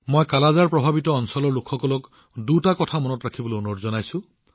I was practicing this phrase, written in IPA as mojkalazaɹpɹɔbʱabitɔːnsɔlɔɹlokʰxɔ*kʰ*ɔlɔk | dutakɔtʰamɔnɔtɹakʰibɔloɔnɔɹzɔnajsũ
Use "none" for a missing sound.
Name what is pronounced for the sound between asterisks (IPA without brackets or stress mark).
k